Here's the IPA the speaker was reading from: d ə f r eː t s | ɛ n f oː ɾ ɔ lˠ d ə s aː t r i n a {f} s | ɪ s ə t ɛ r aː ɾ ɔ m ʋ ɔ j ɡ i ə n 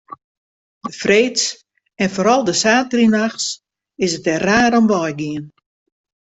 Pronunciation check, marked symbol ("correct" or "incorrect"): incorrect